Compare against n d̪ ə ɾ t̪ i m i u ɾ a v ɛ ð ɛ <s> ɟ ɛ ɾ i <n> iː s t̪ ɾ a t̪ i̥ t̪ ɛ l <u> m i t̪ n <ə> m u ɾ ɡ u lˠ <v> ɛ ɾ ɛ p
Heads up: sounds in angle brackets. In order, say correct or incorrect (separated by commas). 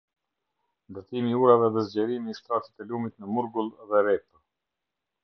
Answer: incorrect, incorrect, correct, correct, incorrect